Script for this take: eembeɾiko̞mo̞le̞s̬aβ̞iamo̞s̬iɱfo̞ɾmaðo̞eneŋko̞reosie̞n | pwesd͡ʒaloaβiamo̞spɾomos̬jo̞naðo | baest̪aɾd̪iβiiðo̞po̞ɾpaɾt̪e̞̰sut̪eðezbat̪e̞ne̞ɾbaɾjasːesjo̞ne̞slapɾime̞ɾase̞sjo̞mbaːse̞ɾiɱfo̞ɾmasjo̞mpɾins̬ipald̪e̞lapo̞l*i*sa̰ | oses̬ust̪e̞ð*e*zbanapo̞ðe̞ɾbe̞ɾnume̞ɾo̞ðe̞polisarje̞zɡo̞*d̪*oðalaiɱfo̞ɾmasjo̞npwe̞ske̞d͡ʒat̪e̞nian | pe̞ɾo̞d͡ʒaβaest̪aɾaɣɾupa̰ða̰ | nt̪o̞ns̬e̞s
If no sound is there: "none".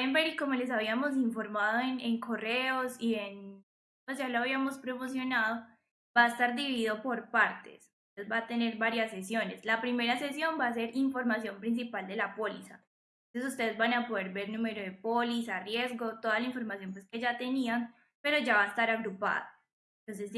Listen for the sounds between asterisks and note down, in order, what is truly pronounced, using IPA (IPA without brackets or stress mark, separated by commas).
i, e, t̪